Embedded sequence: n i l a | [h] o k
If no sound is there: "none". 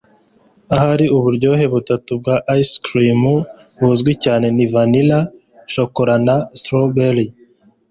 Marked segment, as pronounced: ʃ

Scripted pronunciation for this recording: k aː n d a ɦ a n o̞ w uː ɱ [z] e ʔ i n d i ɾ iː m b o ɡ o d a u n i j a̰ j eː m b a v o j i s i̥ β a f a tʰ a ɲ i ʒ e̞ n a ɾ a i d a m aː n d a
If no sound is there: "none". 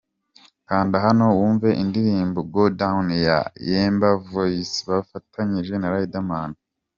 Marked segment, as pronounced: v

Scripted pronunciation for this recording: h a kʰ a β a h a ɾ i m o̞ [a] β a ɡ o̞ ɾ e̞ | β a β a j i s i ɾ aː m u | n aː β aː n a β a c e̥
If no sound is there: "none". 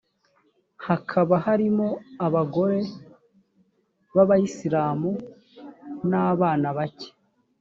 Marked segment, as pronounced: a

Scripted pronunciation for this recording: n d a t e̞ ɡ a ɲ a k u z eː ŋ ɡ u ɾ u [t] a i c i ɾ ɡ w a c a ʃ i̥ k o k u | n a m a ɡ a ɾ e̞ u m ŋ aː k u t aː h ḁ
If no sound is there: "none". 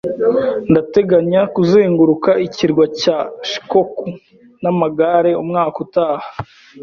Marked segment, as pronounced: k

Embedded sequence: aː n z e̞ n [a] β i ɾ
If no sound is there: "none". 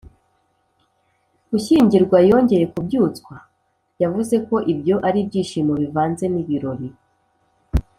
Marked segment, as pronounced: i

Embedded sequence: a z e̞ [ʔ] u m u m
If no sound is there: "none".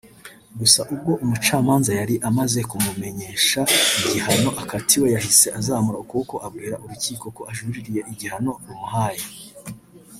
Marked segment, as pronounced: k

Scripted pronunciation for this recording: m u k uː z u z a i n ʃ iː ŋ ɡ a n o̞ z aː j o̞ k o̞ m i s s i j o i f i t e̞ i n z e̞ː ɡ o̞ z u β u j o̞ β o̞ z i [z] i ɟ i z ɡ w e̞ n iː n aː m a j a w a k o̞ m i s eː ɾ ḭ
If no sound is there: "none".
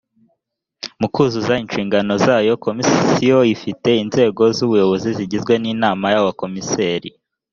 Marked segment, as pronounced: z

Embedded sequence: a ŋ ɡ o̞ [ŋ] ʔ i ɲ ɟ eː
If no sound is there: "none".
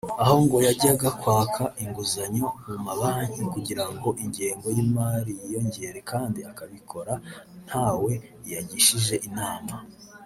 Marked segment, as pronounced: none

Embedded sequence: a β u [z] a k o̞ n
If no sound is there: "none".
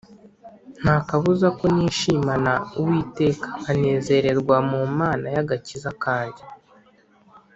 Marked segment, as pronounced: z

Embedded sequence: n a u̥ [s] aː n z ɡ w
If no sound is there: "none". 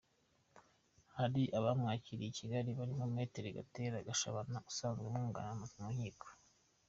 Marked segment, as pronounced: s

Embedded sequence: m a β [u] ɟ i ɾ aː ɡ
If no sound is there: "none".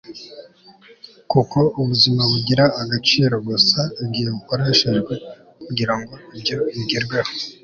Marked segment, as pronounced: u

